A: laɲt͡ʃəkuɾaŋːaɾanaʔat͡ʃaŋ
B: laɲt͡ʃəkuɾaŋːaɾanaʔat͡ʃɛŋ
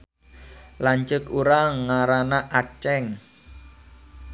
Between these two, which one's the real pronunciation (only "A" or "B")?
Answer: B